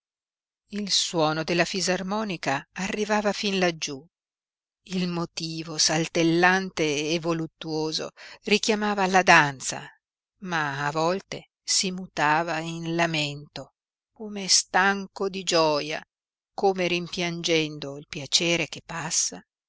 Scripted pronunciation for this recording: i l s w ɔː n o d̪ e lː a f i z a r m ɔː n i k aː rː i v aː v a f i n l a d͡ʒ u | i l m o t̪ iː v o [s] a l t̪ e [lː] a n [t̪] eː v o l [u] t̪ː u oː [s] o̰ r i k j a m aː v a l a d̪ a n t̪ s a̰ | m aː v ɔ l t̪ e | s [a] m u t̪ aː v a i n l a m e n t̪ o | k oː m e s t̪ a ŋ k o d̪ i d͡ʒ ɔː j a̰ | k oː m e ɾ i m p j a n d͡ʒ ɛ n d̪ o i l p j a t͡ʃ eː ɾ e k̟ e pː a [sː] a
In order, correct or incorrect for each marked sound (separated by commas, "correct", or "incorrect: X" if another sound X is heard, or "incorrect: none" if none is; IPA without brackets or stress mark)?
correct, correct, correct, correct, incorrect: z, incorrect: i, correct